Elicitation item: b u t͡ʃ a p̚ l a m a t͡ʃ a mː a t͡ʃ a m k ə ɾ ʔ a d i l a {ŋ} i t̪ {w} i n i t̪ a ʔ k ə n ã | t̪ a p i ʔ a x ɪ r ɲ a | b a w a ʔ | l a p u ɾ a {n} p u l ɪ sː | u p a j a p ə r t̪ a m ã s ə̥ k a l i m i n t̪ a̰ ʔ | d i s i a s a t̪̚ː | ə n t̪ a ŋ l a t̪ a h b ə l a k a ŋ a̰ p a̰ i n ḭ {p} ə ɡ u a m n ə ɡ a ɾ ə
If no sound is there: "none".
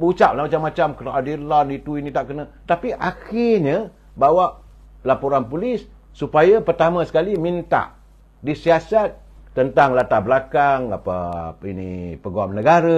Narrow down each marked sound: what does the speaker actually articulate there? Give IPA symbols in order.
n, u, n, p

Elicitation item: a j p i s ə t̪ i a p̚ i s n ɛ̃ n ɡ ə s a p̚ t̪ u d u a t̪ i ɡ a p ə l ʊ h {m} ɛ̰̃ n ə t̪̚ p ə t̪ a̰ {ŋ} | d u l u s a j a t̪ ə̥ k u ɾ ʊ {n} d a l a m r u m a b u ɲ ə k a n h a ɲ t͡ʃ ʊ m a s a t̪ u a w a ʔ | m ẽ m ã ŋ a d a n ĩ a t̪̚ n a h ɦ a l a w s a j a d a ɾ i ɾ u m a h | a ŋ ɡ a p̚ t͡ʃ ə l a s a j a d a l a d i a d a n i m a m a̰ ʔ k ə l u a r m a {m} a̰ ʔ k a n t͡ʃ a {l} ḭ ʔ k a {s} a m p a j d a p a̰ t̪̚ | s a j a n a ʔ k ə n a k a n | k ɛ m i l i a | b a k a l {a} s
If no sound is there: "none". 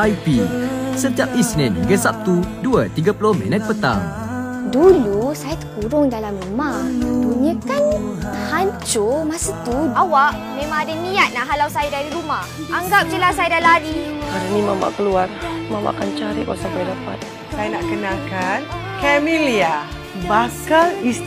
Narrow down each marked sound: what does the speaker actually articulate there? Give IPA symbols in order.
m, ŋ, ŋ, m, ɾ, s, i

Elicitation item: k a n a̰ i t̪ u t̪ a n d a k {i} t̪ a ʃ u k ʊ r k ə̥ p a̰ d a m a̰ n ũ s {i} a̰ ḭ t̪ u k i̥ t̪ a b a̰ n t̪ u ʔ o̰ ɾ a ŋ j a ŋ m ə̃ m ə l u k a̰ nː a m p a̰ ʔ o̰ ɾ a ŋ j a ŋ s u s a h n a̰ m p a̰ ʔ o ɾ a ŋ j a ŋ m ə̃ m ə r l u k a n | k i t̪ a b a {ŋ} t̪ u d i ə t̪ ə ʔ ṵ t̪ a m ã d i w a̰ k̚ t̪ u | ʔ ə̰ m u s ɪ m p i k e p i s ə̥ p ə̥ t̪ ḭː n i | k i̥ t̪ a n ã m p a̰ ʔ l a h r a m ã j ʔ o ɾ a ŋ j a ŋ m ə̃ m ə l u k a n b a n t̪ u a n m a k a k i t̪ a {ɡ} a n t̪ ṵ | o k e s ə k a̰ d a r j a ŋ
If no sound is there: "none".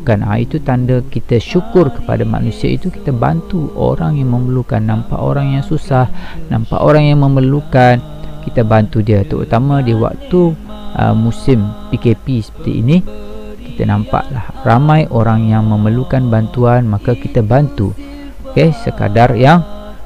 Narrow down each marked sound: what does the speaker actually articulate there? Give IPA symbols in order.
i, i, n, b

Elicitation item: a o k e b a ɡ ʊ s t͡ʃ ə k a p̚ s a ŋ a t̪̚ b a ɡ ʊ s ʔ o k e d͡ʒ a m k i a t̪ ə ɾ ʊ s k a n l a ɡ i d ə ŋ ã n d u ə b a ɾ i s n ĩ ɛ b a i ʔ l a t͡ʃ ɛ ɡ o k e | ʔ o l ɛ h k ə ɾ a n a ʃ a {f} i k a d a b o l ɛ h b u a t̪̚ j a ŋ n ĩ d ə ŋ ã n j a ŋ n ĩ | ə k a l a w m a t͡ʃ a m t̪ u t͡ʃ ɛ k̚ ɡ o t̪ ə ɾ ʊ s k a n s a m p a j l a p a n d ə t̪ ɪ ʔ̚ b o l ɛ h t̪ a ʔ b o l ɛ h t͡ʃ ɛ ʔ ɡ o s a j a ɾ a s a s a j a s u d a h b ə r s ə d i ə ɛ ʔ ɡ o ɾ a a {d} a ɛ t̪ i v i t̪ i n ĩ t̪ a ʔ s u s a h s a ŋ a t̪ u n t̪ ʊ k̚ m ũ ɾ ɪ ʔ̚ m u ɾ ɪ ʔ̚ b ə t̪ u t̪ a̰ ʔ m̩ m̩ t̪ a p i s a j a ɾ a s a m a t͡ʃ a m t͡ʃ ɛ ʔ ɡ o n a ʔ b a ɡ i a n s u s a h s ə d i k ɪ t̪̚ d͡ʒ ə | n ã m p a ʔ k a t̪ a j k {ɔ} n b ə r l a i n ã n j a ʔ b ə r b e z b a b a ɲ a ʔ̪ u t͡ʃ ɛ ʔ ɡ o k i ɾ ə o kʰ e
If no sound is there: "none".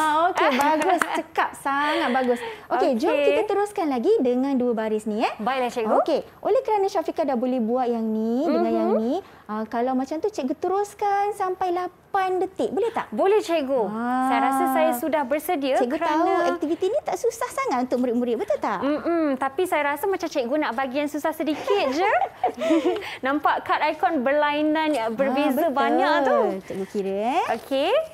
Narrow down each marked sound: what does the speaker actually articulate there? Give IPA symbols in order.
f, n, ɔ

